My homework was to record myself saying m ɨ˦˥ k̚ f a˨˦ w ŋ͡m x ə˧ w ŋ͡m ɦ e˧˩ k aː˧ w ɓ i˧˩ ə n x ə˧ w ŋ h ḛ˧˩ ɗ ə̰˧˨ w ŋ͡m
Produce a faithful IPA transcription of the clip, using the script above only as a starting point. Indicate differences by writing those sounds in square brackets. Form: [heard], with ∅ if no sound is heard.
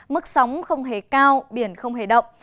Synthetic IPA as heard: m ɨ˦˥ k̚ [s] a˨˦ w ŋ͡m x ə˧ w ŋ͡m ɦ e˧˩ k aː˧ w ɓ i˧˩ ə n x ə˧ w [ŋ͡m] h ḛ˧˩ ɗ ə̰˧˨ w ŋ͡m